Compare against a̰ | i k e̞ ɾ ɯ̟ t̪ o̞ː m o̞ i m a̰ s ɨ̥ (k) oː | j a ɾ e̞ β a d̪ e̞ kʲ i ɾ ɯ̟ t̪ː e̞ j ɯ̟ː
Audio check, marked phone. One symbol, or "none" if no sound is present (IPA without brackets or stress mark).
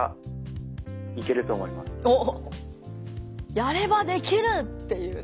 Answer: none